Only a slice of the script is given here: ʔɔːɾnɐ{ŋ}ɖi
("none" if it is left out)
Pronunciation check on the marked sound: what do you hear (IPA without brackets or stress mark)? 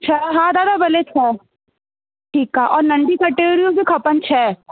ɳ